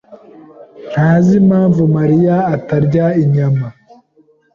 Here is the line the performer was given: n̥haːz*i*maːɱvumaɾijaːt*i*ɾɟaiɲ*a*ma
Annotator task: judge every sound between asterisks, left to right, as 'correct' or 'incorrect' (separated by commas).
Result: correct, incorrect, correct